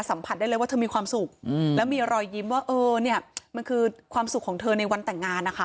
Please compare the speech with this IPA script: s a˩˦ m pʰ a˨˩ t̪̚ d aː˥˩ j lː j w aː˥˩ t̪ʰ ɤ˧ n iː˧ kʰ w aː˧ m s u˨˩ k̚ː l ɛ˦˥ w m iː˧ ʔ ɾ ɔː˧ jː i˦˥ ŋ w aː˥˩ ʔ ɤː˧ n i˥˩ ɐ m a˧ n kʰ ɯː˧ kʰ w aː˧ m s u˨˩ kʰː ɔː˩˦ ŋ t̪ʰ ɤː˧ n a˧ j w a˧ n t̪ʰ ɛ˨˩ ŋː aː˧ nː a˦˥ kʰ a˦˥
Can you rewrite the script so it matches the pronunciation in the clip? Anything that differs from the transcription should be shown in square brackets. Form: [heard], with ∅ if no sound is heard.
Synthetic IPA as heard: s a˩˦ m pʰ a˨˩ t̪̚ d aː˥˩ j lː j w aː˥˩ t̪ʰ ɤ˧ [m] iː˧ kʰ w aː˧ m s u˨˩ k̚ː l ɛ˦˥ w m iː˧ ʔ ɾ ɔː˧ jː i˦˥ [m] w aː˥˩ ʔ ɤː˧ n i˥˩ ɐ m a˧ n kʰ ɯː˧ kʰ w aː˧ m s u˨˩ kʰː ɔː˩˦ ŋ t̪ʰ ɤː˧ n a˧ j w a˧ n [t̪] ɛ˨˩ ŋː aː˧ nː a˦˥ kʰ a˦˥